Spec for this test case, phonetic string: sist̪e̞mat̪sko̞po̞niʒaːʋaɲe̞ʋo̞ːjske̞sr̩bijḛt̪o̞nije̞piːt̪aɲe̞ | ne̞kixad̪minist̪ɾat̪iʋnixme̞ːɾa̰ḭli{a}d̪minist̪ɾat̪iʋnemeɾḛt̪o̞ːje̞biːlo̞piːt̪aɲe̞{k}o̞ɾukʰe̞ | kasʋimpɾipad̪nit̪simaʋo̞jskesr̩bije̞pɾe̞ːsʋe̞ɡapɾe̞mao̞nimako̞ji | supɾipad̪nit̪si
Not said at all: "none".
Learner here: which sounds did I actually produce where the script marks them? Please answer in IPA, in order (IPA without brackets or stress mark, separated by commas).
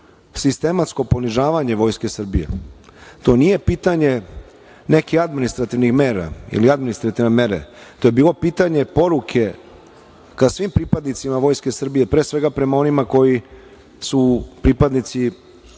a, p